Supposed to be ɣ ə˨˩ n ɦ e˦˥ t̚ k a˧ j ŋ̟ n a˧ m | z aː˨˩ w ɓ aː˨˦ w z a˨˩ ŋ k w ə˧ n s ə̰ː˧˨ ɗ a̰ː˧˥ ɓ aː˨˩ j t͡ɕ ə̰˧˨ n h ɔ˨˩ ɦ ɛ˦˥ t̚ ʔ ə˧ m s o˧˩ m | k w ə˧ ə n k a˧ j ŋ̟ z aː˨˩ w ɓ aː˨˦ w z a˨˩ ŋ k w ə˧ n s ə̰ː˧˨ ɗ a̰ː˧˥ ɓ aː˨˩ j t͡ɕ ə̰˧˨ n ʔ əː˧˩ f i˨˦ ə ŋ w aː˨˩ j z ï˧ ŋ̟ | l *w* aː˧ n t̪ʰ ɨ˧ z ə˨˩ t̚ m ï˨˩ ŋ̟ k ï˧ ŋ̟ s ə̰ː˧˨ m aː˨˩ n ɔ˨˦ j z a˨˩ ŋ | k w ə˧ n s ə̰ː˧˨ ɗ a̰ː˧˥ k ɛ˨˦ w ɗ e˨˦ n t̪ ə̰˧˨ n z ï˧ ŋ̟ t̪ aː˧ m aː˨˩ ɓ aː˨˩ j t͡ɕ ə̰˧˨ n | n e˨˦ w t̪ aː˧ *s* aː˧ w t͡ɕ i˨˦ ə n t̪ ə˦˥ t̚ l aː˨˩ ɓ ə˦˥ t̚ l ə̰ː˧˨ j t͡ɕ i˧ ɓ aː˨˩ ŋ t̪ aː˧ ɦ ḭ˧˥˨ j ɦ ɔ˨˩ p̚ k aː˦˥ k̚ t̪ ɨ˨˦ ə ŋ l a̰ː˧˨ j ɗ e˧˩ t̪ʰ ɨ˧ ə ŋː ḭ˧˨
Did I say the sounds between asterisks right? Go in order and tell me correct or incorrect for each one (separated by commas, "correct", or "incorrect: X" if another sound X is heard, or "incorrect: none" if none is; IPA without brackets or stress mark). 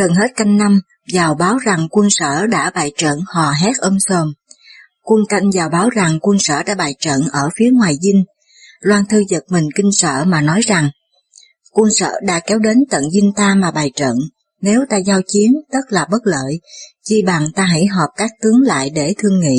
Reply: correct, incorrect: z